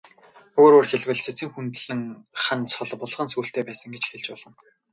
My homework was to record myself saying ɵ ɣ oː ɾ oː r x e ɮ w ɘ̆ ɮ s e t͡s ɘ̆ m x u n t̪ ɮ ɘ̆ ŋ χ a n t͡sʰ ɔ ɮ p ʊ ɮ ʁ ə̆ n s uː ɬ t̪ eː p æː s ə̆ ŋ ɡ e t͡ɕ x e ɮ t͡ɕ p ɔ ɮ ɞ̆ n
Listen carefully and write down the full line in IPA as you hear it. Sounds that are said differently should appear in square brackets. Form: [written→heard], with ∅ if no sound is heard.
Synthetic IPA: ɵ ɣ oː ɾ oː r x e ɮ w ɘ̆ ɮ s e t͡s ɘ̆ [m→ŋ] x u n t̪ ɮ ɘ̆ ŋ χ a n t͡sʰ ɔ ɮ p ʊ ɮ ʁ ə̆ n s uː ɬ t̪ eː p æː s ə̆ ŋ ɡ e t͡ɕ x e ɮ t͡ɕ p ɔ ɮ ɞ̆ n